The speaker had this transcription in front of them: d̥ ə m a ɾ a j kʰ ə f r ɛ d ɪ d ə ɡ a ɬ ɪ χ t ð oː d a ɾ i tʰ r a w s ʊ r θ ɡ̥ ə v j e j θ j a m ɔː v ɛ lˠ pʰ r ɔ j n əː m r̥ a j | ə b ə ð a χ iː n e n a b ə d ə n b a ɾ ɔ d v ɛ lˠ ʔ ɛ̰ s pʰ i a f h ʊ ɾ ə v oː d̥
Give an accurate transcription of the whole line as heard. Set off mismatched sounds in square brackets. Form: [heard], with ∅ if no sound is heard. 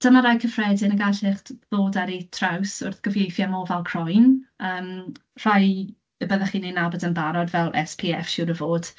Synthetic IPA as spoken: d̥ ə m a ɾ a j kʰ ə f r ɛ d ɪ [n] ə ɡ a ɬ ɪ χ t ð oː d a ɾ i tʰ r a w s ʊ r θ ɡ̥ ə v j e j θ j a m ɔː v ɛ lˠ [kʰ] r ɔ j n əː m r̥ a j | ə b ə ð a χ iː n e n a b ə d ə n b a ɾ ɔ d v ɛ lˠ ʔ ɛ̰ s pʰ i [ɛ] f [ʃ] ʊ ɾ ə v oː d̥